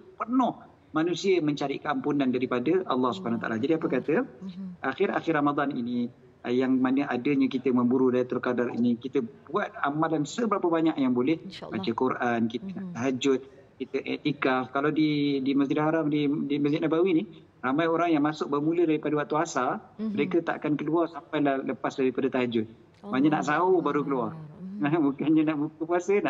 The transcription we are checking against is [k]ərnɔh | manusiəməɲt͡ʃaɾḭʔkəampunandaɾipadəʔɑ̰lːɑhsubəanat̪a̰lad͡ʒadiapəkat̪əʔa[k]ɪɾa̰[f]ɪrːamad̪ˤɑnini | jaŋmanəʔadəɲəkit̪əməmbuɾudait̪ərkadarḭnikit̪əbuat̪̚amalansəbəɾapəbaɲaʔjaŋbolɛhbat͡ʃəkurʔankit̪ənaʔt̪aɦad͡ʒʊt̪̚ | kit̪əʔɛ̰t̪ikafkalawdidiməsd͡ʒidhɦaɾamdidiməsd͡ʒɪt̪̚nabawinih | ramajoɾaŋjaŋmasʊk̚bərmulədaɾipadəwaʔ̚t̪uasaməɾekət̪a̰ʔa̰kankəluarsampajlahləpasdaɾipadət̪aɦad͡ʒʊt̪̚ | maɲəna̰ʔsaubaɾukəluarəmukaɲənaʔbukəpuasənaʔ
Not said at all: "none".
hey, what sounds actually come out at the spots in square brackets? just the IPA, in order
p, x, x

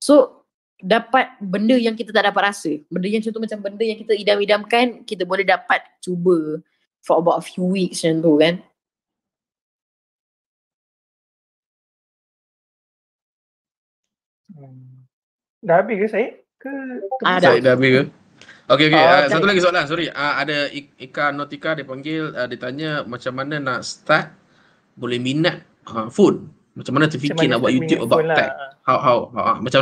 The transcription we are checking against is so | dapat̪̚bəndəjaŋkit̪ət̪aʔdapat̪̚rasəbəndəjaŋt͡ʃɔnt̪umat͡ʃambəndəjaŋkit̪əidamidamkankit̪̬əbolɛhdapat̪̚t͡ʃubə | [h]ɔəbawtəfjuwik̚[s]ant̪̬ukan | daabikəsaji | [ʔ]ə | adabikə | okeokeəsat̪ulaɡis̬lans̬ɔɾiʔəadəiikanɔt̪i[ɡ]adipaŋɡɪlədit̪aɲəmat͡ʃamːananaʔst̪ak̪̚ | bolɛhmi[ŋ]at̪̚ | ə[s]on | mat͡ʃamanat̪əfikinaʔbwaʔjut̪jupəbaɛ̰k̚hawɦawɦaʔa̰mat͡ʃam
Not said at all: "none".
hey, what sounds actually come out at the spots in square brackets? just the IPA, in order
f, s, k, k, n, f

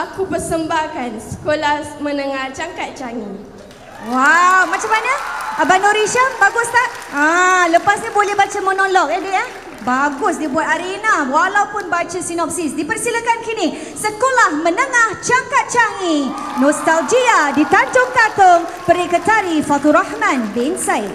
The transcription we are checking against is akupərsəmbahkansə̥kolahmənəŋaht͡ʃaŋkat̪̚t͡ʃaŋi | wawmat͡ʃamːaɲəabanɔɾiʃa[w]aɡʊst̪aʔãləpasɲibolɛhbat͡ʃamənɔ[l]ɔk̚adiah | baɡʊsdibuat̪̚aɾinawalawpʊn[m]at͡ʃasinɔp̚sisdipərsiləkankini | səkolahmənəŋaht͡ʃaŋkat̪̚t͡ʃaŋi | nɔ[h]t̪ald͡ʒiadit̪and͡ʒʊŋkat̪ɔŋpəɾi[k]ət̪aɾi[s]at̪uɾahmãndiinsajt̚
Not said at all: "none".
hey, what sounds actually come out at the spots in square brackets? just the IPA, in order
b, l, b, s, k, f

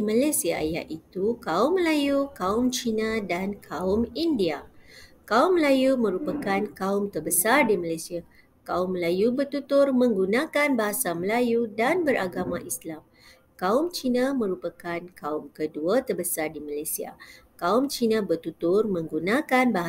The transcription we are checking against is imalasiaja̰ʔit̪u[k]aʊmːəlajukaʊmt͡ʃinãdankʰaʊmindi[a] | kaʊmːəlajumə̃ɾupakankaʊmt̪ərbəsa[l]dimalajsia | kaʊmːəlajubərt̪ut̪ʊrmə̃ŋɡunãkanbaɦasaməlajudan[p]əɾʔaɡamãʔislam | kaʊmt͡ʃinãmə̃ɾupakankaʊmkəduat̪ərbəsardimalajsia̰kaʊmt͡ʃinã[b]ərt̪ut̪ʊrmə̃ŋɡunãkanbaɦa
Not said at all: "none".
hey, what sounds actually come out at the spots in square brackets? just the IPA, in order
k, a, r, b, b

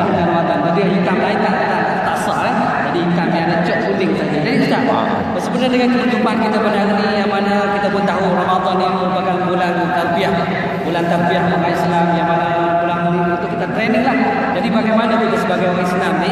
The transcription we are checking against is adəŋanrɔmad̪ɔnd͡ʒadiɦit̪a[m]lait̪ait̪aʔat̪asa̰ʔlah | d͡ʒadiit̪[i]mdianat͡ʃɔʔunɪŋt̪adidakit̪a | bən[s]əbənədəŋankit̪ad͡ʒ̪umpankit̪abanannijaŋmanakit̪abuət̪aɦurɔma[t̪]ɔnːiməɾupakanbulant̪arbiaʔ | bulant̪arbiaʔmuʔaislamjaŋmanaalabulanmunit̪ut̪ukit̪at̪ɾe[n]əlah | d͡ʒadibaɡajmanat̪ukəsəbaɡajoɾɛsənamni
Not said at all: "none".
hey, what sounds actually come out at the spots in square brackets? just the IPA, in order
m, a, s, d̪, n

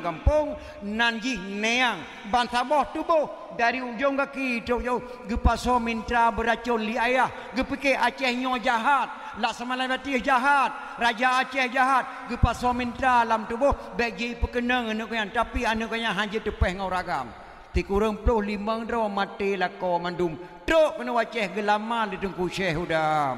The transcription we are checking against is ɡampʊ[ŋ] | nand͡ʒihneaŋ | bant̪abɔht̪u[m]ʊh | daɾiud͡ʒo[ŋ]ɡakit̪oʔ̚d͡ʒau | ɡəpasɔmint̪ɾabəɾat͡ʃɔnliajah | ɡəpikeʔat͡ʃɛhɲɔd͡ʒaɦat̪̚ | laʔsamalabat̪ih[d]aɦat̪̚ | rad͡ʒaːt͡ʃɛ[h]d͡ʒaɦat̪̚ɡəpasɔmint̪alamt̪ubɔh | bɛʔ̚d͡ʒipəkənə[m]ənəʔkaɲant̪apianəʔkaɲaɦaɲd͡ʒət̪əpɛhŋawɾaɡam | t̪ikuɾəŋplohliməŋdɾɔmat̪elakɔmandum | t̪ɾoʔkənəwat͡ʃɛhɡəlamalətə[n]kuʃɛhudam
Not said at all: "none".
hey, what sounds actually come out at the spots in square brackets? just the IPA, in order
ŋ, b, ŋ, d͡ʒ, h, ŋ, ŋ

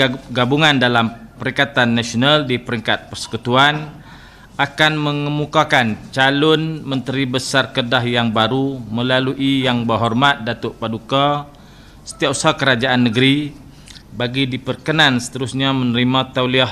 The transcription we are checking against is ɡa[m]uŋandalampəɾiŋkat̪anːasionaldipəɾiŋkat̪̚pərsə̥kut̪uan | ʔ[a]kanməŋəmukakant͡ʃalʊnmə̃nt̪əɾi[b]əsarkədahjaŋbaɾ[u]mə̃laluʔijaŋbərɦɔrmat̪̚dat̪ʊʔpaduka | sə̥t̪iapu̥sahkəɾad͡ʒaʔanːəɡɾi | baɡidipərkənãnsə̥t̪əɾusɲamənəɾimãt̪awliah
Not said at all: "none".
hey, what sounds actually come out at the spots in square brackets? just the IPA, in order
b, a, b, u

